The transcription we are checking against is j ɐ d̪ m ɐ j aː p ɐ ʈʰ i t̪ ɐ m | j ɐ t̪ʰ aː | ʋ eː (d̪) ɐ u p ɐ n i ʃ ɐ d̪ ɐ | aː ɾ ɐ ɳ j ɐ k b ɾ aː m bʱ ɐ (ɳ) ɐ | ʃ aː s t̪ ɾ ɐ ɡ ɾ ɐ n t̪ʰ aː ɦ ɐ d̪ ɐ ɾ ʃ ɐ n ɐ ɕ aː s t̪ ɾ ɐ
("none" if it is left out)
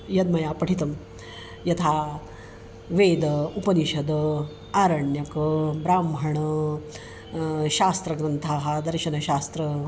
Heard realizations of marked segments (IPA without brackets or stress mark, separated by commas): d̪, ɳ